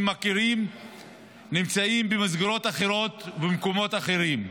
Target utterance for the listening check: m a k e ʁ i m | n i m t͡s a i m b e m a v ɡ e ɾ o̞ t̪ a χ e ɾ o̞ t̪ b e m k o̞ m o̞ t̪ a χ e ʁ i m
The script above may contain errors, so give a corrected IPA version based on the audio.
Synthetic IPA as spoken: m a k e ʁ i m | n i m t͡s a i m b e m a z ɡ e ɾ o̞ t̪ a χ e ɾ o̞ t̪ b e m k o̞ m o̞ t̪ a χ e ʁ i m